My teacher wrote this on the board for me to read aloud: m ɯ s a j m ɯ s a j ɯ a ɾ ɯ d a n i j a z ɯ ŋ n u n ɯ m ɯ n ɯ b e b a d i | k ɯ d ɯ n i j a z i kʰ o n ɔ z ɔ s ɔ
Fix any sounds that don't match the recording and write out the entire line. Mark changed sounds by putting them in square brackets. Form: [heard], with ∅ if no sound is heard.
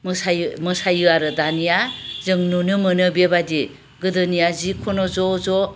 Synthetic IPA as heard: m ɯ s a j m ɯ s a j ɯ a ɾ ɯ d a n i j a z ɯ ŋ n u n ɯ m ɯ n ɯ b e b a d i | [ɡ] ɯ d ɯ n i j a z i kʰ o n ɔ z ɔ [z] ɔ